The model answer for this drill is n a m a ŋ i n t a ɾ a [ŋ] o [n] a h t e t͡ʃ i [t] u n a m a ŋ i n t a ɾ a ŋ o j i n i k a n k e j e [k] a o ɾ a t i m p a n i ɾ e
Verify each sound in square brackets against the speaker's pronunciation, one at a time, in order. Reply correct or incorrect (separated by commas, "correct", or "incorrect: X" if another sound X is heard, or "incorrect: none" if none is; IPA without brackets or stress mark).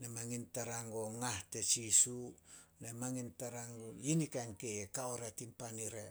correct, incorrect: ŋ, incorrect: s, correct